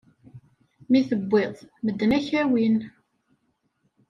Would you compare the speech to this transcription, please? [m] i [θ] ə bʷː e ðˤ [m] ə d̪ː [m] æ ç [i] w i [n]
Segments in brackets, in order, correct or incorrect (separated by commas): correct, correct, correct, incorrect, incorrect, correct